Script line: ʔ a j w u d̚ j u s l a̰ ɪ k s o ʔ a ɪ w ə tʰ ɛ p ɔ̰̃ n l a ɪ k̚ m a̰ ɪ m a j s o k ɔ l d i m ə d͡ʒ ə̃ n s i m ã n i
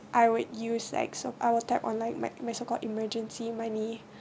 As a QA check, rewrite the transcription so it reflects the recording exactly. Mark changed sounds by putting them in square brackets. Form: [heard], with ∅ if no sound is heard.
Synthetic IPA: ʔ a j w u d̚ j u s l a̰ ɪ k s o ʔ a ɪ w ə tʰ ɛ p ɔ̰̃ n l a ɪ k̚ m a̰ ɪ m a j s o k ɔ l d i m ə d͡ʒ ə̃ n s i m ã n i